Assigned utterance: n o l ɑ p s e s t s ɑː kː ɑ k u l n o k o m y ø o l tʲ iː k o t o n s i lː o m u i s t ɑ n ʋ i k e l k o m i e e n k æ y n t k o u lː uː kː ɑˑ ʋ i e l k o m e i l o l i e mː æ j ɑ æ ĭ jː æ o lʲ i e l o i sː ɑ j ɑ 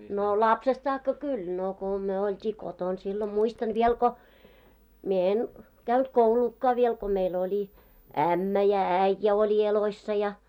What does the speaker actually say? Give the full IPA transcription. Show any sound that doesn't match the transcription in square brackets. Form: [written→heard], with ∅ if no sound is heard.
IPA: n o l ɑ p s e s t s ɑː kː ɑ k u l n o k o m y ø o l tʲ iː k o t o n s i lː o m u i s t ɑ n ʋ i [k→∅] e l k o m i e e n k æ y n t k o u [lː→l] uː kː ɑˑ ʋ i e l k o m e i l o l i [e→æ] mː æ j ɑ æ ĭ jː æ o lʲ i e l o i sː ɑ j ɑ